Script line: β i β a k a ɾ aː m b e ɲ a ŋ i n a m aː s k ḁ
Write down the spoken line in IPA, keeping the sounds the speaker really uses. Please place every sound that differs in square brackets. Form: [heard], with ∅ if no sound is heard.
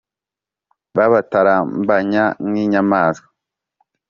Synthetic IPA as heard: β [a] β a [t] a ɾ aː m b [a] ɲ a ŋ i [ɲ] a m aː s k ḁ

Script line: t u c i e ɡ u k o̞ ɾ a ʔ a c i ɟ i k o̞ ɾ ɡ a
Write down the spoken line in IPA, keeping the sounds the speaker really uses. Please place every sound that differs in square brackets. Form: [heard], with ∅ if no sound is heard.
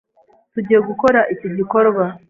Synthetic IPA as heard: t u [ɟ] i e ɡ u k o̞ ɾ a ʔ [i] c i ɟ i k o̞ ɾ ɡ a

